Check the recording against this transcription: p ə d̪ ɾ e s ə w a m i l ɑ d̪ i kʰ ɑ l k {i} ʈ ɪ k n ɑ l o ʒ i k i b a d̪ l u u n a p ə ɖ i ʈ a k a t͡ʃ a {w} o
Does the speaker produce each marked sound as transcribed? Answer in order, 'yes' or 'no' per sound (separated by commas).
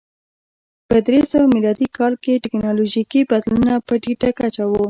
no, yes